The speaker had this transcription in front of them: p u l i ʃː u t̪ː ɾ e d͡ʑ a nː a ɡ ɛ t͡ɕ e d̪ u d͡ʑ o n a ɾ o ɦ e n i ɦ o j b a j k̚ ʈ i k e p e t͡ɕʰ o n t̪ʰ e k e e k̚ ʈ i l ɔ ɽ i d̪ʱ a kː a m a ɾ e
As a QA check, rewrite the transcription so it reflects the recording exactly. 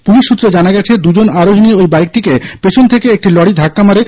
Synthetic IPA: p u l i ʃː u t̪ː ɾ e d͡ʑ a n a ɡ ɛ t͡ɕʰ e d̪ u d͡ʑ o n a ɾ o ɦ i n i o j b a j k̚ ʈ i k e p e t͡ɕʰ o n t̪ʰ e k e e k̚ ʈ i l ɔ ɽ i d̪ʱ a kː a m a ɾ e